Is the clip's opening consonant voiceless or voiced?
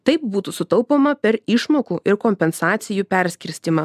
voiceless